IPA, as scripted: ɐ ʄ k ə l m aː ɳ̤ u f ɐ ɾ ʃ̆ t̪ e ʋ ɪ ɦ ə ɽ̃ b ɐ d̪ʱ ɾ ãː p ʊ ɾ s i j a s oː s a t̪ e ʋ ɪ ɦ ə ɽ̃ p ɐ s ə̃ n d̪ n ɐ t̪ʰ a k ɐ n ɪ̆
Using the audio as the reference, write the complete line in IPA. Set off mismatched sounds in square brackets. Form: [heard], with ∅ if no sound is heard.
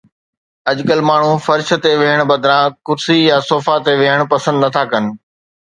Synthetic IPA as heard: ɐ ʄ k ə l m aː ɳ̤ u f ɐ ɾ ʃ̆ t̪ e ʋ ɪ ɦ ə ɽ̃ b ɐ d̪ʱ ɾ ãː [k] ʊ ɾ s i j a s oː [f] a t̪ e ʋ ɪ ɦ ə ɽ̃ p ɐ s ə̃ n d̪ n ɐ t̪ʰ a k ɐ n ɪ̆